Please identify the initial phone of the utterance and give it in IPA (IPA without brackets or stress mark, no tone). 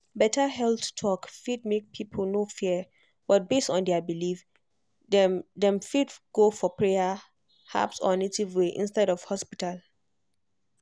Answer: b